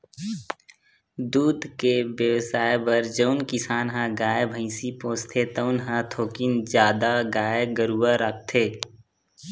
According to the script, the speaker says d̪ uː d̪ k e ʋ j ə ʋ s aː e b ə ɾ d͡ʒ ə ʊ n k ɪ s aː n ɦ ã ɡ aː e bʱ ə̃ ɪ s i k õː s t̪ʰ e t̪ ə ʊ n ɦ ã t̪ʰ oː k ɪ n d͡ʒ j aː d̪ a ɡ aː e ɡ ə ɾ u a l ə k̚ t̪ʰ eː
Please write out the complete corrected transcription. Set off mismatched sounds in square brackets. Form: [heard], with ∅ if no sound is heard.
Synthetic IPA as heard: d̪ uː d̪ k e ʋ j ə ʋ s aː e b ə ɾ d͡ʒ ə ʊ n k ɪ s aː n ɦ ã ɡ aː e bʱ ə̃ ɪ s i [p] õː s t̪ʰ e t̪ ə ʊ n ɦ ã t̪ʰ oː k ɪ n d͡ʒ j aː d̪ a ɡ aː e ɡ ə ɾ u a [ɾ] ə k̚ t̪ʰ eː

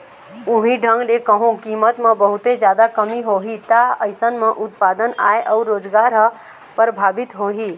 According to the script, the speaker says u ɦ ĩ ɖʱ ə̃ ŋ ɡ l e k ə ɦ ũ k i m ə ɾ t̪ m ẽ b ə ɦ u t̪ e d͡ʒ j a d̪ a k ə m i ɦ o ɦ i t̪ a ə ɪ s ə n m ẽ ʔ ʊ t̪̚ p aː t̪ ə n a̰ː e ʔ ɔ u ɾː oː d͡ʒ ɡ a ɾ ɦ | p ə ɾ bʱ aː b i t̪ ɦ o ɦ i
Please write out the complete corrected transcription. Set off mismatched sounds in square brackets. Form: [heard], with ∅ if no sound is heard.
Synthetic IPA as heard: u ɦ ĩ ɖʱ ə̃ ŋ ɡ l e k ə ɦ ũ k i m ə [∅] t̪ m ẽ b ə ɦ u t̪ e d͡ʒ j a d̪ a k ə m i ɦ o ɦ i t̪ a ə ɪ s ə n m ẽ ʔ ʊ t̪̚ p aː [d̪] ə n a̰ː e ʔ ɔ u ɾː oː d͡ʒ ɡ a ɾ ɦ | p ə ɾ bʱ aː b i t̪ ɦ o ɦ i

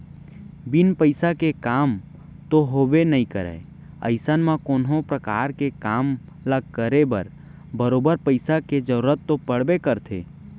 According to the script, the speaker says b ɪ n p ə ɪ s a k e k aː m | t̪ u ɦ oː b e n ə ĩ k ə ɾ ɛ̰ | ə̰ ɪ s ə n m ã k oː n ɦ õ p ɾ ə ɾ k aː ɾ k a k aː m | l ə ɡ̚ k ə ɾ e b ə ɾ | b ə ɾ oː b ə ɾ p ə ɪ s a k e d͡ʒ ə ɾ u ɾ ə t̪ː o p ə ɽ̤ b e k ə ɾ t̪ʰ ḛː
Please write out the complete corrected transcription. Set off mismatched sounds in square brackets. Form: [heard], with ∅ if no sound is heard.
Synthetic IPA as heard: b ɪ n p ə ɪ s a k e k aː m | t̪ [o] ɦ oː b e n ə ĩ k ə ɾ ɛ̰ | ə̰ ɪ s ə n m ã k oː n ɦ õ p ɾ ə [∅] k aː ɾ k [e] k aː m | l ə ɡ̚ k ə ɾ e b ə ɾ | b ə ɾ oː b ə ɾ p ə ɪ s a k e d͡ʒ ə ɾ u ɾ ə t̪ː o p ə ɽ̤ b e k ə ɾ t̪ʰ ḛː

